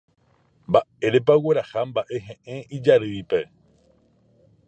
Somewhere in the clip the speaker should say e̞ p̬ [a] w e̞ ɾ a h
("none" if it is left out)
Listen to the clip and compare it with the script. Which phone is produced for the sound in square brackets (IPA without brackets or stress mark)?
a